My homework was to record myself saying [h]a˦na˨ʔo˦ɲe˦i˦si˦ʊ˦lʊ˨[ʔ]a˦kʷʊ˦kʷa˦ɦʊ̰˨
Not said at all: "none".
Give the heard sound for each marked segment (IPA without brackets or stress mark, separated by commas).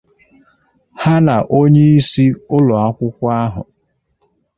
h, none